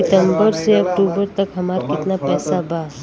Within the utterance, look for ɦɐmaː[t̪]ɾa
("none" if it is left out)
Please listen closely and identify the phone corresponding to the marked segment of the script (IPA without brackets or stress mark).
none